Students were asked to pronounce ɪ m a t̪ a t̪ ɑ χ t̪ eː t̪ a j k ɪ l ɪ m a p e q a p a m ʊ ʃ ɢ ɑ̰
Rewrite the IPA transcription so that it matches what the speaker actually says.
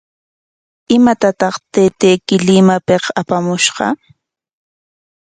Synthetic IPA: ɪ m a t̪ a t̪ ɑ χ t̪ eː t̪ e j k ɪ l ɪ m a p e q a p a m ʊ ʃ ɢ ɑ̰